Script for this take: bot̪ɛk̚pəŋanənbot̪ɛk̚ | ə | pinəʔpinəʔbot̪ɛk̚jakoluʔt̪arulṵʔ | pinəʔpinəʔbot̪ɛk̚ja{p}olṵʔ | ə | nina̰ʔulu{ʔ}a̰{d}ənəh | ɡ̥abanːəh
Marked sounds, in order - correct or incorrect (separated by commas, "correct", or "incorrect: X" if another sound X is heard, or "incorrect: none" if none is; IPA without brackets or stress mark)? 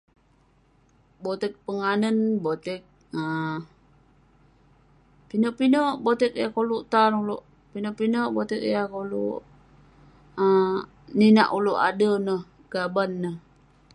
incorrect: k, correct, correct